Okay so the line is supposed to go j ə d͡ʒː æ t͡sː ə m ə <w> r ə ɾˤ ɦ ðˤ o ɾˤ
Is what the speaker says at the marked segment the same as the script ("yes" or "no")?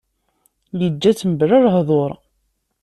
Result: no